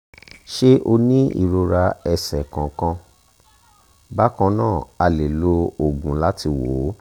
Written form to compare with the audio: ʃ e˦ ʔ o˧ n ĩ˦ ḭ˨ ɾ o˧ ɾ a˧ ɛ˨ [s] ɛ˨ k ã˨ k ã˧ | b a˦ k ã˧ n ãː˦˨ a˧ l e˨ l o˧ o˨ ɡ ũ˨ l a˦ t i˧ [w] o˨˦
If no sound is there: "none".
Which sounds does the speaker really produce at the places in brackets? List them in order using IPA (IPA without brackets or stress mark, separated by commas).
s, w